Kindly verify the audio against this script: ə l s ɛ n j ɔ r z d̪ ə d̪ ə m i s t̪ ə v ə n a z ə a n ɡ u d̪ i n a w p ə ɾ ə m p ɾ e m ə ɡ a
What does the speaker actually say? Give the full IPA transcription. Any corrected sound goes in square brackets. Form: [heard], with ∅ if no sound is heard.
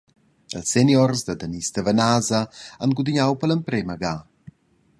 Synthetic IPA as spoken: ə l s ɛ n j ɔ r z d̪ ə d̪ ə [n] i s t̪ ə v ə n a z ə a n ɡ u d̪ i [ɲ] a w p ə [l] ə m p ɾ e m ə ɡ a